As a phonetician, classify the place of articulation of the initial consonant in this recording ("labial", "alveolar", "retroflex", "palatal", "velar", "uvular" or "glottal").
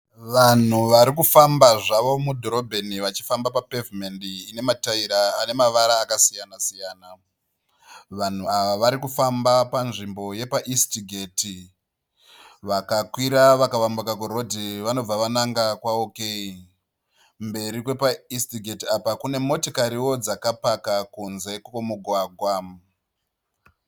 labial